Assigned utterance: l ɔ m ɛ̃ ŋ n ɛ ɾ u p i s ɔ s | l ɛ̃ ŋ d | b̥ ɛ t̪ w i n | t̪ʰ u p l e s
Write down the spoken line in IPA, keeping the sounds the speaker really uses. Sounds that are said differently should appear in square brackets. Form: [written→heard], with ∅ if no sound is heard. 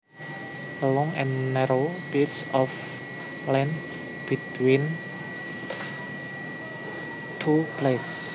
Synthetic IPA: l ɔ [m→ŋ] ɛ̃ [ŋ→n] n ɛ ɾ [u→o] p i s ɔ [s→f] | l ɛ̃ [ŋ→n] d | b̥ [ɛ→i] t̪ w i n | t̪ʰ u p l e s